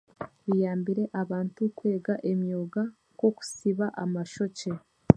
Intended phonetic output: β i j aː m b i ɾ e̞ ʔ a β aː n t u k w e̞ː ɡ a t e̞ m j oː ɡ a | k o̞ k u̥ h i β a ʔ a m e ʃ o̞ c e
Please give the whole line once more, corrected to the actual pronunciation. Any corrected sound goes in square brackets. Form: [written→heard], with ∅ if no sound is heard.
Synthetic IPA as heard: β i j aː m b i ɾ e̞ ʔ a β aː n t u k w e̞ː ɡ a [t→ʔ] e̞ m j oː ɡ a | k o̞ k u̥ [h→s] i β a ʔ a m [e→a] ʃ o̞ c e